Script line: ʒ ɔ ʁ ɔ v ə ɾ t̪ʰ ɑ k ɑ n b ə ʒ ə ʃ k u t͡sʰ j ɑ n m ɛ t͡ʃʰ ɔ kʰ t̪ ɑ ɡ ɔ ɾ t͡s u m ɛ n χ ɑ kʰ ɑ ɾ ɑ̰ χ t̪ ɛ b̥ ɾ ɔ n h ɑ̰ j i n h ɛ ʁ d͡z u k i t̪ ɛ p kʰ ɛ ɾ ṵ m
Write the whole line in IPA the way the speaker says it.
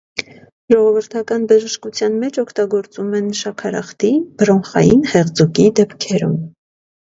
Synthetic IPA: ʒ ɔ ʁ ɔ v ə ɾ t̪ʰ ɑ k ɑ n b ə ʒ ə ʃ k u t͡sʰ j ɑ n m ɛ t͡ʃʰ ɔ kʰ t̪ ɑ ɡ ɔ ɾ t͡s u m ɛ n ʃ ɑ kʰ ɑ ɾ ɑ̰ χ t̪ i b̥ ɾ ɔ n χ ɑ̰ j i n h ɛ ʁ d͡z u k i d̪ ɛ p kʰ ɛ ɾ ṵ m